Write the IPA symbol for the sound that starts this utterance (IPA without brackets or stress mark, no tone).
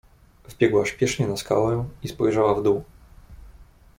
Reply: v